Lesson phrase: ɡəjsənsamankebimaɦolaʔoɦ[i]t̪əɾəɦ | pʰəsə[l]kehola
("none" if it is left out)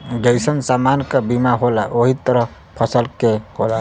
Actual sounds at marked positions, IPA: i, l

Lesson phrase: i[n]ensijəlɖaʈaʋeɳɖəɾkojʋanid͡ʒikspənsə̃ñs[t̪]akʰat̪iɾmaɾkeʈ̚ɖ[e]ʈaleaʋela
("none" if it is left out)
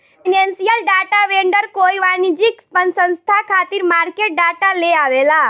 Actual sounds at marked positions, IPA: n, t̪ʰ, a

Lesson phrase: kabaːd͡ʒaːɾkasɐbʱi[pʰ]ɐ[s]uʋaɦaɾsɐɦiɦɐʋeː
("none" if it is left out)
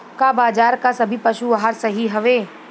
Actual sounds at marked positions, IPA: p, ʃ

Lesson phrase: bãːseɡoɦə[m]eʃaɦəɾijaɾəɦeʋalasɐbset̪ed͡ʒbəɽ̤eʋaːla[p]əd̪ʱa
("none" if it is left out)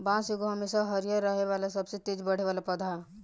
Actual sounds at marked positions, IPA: m, p

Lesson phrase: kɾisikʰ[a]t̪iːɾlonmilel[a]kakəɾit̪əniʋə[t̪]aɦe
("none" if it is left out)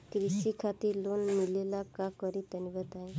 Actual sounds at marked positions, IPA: a, a, t̪

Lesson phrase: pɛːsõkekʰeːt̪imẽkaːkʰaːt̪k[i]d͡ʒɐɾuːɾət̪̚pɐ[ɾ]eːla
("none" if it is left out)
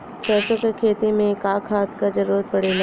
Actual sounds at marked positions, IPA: a, ɽ

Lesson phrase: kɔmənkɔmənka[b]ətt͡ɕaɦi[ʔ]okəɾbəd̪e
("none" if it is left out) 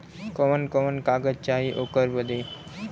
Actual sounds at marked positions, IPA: ɡ, ʔ

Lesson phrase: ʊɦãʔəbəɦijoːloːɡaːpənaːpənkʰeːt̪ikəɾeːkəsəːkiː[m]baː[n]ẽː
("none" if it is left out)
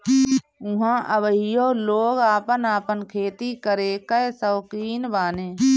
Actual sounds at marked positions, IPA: n, n

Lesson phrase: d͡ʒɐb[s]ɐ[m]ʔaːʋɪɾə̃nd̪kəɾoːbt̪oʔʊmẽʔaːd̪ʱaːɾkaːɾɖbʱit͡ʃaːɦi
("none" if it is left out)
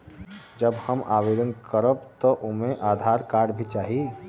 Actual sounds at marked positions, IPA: h, m

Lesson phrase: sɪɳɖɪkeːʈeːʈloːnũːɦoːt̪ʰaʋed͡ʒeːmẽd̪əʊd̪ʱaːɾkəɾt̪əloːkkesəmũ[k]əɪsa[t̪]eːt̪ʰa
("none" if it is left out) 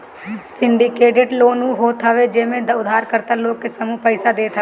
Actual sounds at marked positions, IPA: p, d̪

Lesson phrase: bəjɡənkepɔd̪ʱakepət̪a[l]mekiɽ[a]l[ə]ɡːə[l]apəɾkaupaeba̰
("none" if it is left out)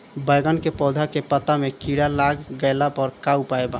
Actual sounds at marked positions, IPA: none, a, a, l

